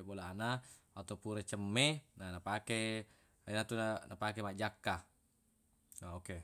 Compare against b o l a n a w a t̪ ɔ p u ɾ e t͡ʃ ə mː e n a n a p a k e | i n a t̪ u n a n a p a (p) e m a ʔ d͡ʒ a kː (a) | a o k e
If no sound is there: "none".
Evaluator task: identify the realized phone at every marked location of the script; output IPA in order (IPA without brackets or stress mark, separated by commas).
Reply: k, a